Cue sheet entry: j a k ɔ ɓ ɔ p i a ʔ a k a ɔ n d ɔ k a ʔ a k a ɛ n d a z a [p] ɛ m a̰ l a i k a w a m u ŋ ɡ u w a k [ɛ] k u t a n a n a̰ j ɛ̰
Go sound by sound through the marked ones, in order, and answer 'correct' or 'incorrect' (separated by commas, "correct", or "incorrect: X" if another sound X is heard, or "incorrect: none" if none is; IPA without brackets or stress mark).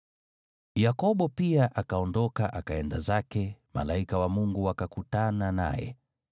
incorrect: k, incorrect: a